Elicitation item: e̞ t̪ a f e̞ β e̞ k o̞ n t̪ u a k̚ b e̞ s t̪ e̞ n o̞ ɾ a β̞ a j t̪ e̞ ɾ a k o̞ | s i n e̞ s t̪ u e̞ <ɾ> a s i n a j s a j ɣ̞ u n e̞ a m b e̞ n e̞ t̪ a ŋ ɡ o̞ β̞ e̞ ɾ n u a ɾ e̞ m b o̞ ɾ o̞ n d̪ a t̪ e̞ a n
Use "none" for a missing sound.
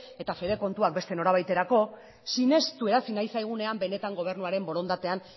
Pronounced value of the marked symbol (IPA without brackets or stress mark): ɾ